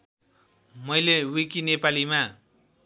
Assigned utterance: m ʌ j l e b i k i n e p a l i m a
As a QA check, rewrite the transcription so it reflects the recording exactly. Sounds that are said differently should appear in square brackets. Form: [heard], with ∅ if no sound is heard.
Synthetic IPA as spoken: m ʌ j l e [w] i k i n e p a l i m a